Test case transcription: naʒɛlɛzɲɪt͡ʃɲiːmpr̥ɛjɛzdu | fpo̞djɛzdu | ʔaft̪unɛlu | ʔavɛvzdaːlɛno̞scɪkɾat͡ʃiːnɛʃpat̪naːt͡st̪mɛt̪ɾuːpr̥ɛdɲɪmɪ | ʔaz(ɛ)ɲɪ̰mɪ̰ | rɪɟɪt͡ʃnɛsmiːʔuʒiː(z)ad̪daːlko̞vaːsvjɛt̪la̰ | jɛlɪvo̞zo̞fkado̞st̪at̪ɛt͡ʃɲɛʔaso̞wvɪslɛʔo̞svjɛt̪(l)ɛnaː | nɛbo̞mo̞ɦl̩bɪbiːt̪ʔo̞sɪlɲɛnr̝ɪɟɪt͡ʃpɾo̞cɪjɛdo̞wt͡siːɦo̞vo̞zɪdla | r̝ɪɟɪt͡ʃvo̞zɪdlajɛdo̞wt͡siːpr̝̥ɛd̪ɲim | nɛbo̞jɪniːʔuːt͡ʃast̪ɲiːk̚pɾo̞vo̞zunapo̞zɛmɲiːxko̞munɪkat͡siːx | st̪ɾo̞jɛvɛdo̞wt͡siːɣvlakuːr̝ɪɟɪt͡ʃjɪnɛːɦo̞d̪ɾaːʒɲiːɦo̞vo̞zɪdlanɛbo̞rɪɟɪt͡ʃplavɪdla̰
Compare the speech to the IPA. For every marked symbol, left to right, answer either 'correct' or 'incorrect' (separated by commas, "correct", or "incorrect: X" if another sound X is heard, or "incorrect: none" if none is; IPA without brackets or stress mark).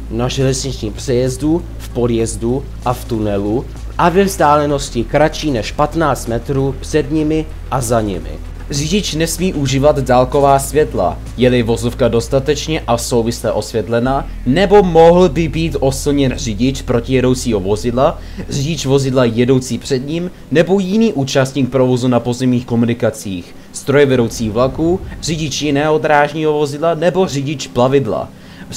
incorrect: a, incorrect: v, correct